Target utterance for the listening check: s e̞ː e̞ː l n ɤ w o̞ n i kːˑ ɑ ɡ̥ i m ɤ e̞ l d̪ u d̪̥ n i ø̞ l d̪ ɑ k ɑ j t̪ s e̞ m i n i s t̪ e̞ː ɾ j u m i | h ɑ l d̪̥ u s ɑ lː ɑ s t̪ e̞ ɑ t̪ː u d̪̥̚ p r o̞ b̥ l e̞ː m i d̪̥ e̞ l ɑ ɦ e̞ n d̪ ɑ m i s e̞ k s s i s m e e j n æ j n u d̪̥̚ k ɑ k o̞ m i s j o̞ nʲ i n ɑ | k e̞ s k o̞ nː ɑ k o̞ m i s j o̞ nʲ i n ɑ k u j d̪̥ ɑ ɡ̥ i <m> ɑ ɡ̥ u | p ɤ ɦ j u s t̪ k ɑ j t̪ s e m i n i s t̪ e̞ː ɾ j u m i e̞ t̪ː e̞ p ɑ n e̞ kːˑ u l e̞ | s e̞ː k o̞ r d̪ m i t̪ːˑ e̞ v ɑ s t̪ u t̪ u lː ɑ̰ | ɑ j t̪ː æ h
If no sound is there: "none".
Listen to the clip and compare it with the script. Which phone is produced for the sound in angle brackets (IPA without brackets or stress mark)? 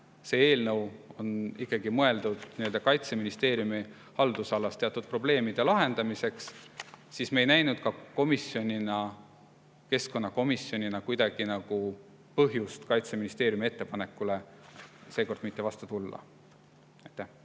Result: n